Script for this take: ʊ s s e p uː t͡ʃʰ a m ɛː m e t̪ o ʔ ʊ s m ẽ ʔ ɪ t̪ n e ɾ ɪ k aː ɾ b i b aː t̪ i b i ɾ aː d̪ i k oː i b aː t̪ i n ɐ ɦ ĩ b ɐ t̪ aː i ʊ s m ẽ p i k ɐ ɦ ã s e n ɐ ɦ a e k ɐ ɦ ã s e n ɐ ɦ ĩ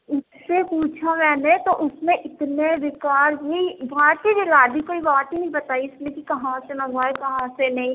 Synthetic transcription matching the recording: ʊ s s e p uː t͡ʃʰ a m ɛː n e t̪ o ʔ ʊ s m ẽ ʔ ɪ t̪ n e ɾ ɪ k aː ɾ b i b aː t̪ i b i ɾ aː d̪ i k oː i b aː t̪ i n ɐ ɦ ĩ b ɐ t̪ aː i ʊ s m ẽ k i k ɐ ɦ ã s e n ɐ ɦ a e k ɐ ɦ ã s e n ɐ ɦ ĩ